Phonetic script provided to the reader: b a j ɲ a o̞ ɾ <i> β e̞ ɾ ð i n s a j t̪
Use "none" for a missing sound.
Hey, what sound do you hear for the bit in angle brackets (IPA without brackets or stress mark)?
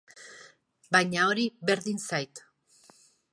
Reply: i